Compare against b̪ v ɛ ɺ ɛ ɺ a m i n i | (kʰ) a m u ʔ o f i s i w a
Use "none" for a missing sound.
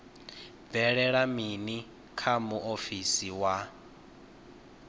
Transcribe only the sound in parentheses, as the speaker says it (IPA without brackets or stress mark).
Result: kʰ